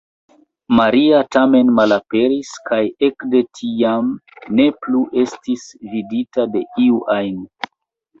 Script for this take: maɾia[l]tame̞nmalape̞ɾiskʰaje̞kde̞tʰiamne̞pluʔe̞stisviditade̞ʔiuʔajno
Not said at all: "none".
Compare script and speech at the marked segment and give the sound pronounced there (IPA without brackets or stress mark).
none